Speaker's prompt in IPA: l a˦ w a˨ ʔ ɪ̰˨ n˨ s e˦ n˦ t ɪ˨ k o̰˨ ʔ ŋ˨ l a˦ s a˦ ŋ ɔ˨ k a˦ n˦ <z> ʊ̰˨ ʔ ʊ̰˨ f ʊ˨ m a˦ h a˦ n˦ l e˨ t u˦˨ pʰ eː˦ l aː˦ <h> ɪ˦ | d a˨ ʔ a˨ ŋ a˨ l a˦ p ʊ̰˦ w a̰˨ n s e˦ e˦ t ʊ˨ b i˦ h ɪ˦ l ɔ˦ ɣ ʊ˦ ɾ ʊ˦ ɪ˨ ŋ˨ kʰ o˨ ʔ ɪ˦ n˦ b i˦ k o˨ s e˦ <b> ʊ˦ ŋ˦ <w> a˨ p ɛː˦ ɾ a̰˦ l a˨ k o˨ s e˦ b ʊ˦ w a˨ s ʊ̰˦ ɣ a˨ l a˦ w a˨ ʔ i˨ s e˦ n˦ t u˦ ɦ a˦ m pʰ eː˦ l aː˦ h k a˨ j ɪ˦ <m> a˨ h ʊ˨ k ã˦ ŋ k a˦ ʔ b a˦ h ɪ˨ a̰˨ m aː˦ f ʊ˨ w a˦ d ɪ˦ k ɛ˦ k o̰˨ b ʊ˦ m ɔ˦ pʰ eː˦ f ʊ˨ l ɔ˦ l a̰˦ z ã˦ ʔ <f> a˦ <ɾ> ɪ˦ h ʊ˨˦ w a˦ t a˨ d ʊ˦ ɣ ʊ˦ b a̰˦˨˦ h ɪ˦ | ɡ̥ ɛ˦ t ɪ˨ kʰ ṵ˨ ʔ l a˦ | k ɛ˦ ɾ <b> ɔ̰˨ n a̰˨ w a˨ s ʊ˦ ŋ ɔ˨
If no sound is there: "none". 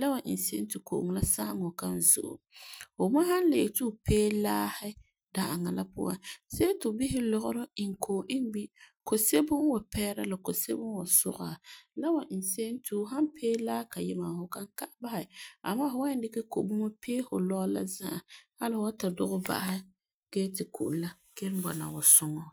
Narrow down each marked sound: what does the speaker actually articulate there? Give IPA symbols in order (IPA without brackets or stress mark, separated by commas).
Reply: z, h, b, w, m, h, l, b